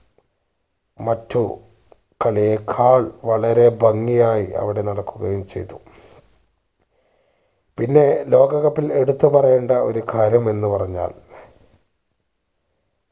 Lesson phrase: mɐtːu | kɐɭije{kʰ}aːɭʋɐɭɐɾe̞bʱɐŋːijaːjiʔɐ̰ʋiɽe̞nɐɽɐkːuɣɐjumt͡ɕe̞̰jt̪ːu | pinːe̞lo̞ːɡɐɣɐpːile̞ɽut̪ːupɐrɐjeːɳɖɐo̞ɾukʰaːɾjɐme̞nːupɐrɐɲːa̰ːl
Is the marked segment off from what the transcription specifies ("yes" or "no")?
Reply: no